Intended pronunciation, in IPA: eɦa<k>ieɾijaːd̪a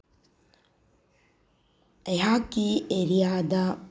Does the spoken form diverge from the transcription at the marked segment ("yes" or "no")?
no